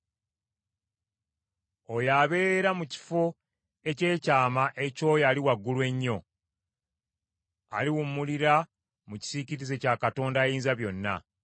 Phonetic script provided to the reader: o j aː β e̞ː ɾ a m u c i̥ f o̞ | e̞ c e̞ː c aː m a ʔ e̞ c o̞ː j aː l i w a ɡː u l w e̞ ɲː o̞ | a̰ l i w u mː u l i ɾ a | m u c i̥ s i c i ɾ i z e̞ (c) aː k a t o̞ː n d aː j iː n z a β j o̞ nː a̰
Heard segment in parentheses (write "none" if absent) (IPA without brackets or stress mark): c